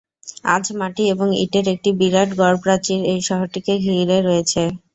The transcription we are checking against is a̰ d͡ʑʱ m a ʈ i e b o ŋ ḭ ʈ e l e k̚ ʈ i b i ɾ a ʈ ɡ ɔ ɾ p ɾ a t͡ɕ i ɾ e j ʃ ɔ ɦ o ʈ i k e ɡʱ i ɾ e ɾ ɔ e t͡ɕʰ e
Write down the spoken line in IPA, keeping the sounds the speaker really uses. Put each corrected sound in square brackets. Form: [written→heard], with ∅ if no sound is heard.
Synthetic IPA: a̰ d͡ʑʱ m a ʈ i e b o ŋ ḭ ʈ e [l→ɾ] e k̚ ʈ i b i ɾ a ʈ ɡ ɔ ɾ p ɾ a t͡ɕ i ɾ e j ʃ ɔ ɦ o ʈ i k e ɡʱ i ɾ e ɾ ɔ e t͡ɕʰ e